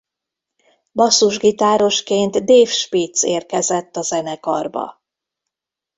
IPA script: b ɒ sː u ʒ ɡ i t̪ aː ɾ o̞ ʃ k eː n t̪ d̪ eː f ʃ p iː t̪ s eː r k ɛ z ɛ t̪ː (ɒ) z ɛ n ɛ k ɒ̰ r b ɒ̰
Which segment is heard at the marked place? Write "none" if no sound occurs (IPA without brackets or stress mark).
ɒ